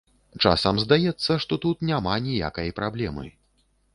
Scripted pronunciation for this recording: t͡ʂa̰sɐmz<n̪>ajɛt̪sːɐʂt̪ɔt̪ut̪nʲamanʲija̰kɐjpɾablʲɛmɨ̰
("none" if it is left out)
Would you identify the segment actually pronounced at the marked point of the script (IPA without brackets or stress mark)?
d̪